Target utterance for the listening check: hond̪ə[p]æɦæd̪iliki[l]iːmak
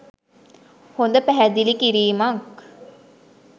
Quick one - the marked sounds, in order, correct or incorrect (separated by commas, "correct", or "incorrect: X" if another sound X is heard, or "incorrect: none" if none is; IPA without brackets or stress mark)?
correct, incorrect: ɾ